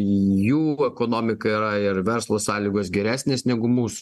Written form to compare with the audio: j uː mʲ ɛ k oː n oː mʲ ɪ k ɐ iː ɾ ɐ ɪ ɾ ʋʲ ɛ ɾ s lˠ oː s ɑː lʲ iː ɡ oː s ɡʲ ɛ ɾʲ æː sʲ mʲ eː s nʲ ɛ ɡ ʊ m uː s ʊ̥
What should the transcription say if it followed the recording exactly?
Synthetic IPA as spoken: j uː ɛ k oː n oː mʲ ɪ k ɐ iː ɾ ɐ ɪ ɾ ʋʲ ɛ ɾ s lˠ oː s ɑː lʲ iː ɡ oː s ɡʲ ɛ ɾʲ æː sʲ nʲ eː s nʲ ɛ ɡ ʊ m uː s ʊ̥